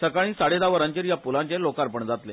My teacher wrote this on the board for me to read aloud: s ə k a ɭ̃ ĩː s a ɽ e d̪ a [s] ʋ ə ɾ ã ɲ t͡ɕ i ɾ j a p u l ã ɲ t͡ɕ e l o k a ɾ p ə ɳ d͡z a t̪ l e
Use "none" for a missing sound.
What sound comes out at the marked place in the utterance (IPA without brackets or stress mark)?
none